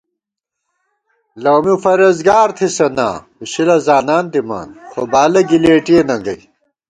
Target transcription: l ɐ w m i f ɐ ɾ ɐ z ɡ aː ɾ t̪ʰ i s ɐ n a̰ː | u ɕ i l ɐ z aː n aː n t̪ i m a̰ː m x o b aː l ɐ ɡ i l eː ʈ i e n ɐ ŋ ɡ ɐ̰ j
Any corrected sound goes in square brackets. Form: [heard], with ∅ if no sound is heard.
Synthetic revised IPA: l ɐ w m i f ɐ ɾ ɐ z ɡ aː ɾ t̪ʰ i s ɐ n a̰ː | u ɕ i l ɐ z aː n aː n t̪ i m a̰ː [n] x o b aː l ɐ ɡ i l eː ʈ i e n ɐ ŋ ɡ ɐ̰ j